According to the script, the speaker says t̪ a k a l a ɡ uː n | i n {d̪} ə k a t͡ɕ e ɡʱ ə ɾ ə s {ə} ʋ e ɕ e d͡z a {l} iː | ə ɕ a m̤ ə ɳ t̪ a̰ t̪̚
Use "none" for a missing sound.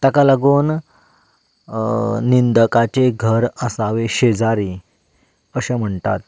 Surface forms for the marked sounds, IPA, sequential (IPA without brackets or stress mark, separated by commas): d̪, a, ɾ